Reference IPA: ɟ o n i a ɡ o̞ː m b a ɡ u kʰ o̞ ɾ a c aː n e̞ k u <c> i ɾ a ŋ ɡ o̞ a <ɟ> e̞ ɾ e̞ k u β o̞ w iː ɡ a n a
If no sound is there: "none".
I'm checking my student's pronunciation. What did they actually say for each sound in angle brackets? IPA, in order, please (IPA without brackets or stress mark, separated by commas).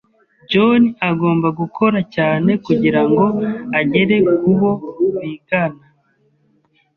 ɟ, ɟ